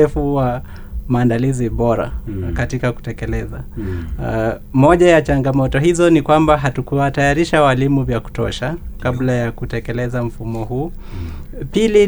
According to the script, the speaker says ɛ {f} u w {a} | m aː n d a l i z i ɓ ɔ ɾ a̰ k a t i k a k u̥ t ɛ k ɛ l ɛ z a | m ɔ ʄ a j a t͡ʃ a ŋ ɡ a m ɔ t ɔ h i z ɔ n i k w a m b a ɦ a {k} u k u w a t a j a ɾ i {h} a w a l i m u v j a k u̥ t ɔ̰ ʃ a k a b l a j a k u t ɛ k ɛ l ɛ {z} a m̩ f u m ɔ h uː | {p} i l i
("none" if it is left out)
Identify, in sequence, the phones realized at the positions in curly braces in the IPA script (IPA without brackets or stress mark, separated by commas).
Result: f, a, t, ʃ, z, p